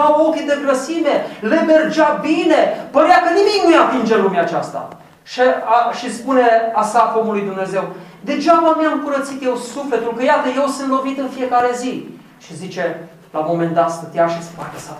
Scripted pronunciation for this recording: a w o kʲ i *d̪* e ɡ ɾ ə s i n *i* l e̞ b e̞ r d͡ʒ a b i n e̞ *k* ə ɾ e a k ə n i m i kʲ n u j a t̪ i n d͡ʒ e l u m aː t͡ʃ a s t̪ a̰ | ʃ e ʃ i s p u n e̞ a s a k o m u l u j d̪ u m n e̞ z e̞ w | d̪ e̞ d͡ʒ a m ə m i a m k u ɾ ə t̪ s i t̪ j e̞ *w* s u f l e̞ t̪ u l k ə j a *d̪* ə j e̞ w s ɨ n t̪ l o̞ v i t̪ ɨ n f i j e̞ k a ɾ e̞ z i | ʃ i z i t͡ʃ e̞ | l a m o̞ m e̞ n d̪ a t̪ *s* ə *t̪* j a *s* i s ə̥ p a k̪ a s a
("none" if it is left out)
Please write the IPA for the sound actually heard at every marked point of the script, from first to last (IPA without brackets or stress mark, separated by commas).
d̪, e, p, w, t̪, s, t̪, ʃ